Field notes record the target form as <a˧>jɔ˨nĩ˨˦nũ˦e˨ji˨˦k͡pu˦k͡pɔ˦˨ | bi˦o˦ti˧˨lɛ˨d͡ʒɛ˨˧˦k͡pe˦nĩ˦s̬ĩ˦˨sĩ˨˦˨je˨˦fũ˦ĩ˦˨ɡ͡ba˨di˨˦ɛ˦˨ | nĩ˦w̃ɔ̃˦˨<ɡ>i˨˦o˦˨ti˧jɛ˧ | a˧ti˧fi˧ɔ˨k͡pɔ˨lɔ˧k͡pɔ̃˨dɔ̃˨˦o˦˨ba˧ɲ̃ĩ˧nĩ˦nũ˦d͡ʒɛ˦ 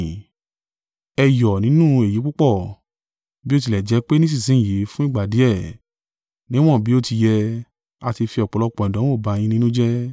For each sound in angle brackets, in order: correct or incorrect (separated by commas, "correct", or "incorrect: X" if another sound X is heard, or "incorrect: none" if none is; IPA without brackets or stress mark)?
incorrect: ɛ˧, incorrect: b